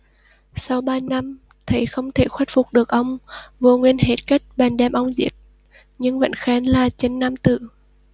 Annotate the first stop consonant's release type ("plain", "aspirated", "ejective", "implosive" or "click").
implosive